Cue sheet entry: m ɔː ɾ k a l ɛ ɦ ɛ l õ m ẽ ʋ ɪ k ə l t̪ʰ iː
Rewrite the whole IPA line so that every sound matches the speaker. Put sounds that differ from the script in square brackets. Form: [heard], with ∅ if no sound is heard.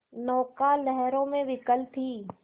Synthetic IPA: [n] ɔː [∅] k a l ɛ ɦ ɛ [ɾ] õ m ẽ ʋ ɪ k ə l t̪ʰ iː